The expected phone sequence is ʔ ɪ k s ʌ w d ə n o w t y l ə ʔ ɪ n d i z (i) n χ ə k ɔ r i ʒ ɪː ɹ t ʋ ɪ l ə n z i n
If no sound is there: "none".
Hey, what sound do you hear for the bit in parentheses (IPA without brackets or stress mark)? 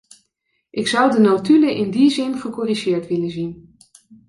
ɪ